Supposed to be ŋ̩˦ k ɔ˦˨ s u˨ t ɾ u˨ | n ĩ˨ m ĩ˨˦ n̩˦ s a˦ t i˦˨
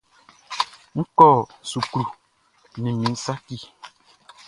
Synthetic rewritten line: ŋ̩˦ k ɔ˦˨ s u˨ k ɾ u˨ | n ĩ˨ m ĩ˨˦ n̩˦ s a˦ k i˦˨